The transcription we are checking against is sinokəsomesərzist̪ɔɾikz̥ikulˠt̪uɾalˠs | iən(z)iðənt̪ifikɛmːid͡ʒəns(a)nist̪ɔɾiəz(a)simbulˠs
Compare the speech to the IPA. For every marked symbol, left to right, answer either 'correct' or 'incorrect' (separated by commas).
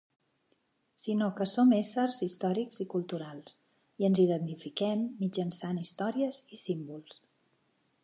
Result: correct, correct, incorrect